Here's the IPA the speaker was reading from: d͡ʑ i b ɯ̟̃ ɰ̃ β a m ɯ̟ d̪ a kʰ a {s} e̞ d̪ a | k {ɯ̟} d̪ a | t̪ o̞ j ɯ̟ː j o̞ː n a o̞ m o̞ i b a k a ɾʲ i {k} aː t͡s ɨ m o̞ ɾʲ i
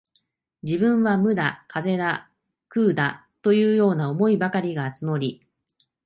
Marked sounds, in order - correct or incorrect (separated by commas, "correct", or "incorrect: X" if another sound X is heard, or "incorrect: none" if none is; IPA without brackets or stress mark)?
incorrect: z, incorrect: ɯ̟ː, incorrect: ɡ